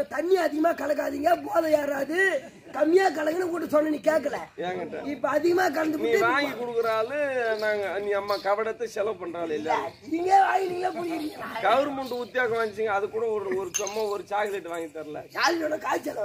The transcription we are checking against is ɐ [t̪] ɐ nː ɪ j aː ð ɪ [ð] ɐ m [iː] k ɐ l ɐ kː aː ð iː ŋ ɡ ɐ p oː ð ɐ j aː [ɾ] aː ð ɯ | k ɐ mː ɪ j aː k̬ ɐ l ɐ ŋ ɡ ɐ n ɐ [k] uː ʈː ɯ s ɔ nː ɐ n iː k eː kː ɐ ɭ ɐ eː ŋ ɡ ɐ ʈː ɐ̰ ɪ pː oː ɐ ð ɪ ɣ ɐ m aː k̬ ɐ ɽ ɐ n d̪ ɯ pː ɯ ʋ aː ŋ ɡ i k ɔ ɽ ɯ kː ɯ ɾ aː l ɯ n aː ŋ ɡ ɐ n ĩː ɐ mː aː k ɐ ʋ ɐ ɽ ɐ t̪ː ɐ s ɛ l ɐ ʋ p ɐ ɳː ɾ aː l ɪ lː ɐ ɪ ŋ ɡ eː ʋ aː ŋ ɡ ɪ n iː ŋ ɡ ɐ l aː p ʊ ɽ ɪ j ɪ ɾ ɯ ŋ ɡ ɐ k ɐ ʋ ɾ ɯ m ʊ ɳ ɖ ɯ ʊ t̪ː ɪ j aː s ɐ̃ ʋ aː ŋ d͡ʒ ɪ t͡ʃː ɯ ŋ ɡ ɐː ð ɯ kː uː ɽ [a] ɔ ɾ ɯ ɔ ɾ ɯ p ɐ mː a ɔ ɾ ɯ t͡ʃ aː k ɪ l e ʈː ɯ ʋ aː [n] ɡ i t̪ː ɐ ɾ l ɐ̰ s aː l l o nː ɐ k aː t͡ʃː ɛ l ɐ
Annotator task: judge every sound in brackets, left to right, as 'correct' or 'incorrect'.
correct, incorrect: ɣ, incorrect: aː, correct, correct, incorrect: ɐ, incorrect: ŋ

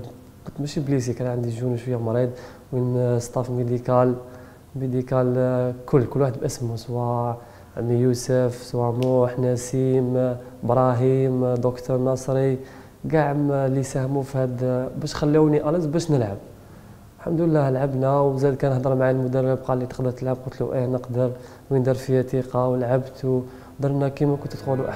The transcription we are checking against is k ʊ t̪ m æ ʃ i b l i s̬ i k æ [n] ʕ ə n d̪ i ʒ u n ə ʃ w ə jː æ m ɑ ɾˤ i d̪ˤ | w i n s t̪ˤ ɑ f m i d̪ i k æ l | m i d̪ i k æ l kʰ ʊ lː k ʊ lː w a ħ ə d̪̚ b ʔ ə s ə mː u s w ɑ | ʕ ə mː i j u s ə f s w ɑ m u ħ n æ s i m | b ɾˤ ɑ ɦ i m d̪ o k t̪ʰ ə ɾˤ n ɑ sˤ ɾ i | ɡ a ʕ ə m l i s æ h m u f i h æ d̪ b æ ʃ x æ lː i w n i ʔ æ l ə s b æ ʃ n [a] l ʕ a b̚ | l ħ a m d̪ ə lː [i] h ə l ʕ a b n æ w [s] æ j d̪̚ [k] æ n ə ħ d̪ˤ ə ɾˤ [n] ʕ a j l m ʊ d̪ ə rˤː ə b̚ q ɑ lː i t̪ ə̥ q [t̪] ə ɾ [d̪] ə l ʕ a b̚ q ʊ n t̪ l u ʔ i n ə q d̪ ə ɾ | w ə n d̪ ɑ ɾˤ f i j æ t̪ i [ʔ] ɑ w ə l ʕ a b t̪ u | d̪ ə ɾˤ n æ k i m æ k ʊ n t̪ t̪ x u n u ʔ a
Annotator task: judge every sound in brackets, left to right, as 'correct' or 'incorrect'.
correct, incorrect: ə, incorrect: æ, incorrect: z, correct, incorrect: m, incorrect: d̪, incorrect: t̪, incorrect: q

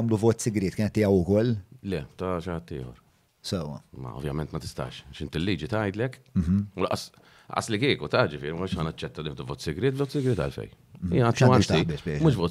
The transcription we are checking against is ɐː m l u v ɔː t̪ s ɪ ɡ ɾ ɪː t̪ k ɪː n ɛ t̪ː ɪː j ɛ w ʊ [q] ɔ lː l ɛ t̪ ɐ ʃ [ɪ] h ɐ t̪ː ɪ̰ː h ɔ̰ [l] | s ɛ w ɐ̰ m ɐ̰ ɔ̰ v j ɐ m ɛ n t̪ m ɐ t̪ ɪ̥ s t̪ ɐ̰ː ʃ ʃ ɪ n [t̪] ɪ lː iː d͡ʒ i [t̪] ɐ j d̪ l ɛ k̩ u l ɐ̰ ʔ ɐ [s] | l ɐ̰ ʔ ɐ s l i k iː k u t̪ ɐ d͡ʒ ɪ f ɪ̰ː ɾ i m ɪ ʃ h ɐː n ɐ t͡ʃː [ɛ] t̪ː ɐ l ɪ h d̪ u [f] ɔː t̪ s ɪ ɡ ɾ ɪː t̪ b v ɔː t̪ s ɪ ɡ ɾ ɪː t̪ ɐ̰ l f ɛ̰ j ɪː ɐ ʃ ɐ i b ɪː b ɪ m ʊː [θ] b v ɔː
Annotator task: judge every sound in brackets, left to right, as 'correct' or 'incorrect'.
incorrect: k, correct, incorrect: ɾ, correct, correct, correct, correct, incorrect: v, incorrect: ʃ

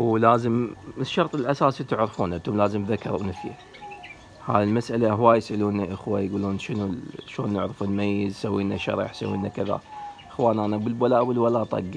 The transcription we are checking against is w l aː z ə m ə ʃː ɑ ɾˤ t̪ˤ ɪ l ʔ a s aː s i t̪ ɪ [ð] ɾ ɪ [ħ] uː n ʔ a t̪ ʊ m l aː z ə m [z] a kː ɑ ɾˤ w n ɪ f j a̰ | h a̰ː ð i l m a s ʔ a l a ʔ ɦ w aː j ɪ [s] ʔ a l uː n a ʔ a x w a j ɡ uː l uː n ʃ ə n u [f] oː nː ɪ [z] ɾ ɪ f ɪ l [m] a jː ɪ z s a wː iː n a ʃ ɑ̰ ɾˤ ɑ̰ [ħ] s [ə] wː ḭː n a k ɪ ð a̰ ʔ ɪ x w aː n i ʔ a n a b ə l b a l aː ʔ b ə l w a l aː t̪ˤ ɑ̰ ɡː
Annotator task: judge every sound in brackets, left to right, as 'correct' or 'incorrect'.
incorrect: ʕ, incorrect: f, incorrect: ð, correct, incorrect: ʃ, incorrect: ʕ, correct, correct, incorrect: a

